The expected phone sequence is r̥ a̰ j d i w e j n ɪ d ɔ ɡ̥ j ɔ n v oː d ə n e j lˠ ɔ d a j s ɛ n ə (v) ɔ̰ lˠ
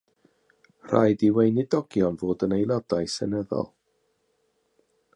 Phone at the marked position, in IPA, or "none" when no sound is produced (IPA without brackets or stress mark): ð